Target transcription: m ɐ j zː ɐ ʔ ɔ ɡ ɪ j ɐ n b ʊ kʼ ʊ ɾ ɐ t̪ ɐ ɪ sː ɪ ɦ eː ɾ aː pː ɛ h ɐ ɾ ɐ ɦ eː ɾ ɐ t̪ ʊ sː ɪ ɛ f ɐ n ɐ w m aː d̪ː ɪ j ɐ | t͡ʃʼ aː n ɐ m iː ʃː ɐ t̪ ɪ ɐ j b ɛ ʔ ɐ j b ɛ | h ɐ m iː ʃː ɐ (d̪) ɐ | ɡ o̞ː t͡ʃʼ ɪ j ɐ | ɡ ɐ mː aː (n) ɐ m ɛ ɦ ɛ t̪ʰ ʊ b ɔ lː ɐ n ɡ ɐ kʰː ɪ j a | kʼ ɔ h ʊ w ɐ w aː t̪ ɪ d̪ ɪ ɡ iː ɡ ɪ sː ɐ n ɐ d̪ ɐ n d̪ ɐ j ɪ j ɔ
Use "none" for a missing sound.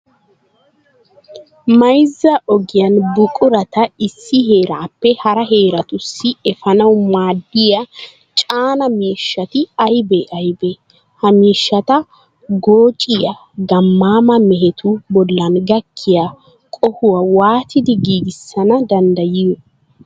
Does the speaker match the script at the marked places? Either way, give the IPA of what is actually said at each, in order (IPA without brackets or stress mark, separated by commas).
t̪, m